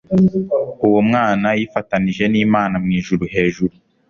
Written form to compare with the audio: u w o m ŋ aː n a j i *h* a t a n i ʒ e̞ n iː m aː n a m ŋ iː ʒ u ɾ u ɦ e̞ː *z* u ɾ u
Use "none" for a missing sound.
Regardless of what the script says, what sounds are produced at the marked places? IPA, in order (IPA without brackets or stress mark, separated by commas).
f, ʒ